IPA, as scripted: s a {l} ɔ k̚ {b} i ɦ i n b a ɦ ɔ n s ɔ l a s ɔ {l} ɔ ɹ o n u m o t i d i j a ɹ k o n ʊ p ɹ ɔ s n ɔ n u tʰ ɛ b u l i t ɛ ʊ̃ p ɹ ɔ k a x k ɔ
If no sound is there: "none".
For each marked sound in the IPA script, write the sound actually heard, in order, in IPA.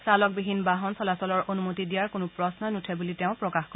l, b, l

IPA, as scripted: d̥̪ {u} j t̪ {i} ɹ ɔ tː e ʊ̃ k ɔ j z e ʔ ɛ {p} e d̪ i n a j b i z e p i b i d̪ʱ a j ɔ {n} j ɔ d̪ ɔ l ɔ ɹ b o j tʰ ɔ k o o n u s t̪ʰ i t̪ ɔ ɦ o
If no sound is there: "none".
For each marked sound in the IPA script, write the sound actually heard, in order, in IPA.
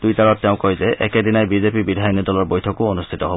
u, a, k, n

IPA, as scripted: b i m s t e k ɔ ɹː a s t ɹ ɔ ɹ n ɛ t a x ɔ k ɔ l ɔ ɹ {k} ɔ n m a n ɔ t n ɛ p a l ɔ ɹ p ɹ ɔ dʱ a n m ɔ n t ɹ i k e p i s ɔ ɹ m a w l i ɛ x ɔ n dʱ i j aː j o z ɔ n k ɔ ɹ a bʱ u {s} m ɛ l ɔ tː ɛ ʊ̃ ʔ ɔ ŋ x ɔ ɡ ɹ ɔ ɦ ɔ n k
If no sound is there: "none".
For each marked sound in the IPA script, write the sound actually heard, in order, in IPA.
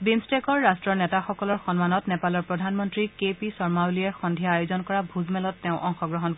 x, z

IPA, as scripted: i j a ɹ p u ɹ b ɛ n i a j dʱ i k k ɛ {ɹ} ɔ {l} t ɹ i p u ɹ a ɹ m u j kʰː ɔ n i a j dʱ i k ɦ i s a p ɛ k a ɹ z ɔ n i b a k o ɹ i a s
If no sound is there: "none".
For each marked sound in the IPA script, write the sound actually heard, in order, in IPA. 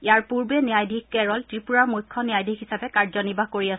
ɹ, l

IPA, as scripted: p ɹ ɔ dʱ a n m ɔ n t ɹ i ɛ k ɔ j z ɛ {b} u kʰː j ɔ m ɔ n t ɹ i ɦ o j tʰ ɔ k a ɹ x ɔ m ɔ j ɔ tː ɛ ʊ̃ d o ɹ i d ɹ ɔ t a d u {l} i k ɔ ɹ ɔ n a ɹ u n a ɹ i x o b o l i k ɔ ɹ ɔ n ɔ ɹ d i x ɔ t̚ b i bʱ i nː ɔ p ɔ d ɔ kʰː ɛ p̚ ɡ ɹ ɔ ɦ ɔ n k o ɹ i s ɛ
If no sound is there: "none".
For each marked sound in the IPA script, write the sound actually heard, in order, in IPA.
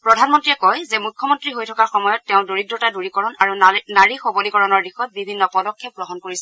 m, ɹ

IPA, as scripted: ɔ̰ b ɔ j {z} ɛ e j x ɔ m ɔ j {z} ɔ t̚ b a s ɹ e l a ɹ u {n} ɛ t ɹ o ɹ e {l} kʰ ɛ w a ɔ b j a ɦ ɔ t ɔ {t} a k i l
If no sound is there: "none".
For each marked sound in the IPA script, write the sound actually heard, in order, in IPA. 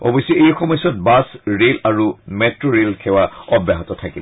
s, s, m, l, tʰ

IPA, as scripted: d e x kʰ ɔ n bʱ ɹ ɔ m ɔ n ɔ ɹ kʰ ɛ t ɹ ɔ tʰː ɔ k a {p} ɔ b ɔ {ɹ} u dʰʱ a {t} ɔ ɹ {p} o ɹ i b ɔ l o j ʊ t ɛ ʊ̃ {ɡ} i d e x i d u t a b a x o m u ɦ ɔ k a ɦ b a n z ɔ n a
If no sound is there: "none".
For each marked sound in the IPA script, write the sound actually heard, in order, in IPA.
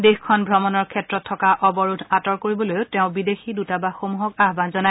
ʔ, ɹ, t, k, b

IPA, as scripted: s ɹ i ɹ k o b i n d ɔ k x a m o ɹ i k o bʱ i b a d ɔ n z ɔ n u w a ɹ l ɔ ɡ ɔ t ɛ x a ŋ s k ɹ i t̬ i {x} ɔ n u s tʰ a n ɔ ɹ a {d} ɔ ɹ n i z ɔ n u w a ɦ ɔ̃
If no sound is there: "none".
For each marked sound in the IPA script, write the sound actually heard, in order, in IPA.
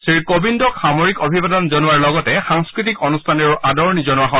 k, d

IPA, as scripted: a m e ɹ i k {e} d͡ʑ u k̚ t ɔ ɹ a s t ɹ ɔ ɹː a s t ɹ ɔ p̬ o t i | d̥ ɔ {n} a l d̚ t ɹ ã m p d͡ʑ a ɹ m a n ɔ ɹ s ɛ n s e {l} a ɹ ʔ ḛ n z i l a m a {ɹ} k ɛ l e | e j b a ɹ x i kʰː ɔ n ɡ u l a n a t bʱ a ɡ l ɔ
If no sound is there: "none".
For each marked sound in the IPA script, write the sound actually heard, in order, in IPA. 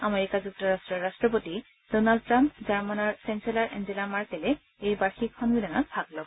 a, n, l, ɹ

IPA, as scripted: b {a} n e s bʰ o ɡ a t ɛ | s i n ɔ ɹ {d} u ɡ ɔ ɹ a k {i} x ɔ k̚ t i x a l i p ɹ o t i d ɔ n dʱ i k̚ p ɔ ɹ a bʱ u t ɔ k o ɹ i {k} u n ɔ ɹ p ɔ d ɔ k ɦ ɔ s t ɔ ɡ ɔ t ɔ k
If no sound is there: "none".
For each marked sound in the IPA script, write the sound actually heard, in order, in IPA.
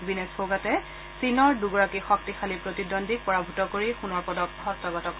i, d, i, x

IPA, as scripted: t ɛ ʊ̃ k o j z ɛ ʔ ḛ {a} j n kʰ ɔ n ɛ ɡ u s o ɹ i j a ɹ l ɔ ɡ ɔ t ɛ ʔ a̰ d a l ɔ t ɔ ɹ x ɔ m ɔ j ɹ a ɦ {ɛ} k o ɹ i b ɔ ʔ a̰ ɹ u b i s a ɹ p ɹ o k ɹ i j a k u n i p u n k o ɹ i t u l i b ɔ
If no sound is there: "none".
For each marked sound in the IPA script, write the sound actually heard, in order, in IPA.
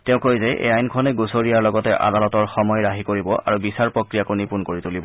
a, i

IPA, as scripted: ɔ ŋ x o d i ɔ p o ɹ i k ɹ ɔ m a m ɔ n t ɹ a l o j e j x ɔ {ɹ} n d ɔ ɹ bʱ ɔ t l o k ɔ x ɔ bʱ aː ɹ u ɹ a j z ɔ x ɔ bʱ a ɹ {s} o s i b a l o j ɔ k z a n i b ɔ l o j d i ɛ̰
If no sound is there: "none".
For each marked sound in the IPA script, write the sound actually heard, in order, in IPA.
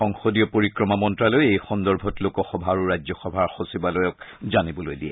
none, x

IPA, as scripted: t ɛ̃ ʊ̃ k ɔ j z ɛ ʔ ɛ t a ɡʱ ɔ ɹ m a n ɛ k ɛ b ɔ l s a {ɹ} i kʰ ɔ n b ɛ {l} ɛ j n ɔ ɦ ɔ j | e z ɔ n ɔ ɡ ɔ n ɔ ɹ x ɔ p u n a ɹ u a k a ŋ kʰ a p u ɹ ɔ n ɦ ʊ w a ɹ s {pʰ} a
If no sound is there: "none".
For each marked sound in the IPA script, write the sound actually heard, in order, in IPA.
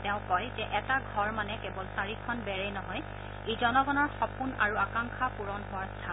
ɹ, ɹ, tʰ

